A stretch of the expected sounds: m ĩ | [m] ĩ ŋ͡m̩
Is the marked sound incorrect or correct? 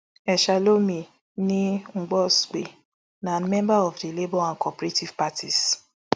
incorrect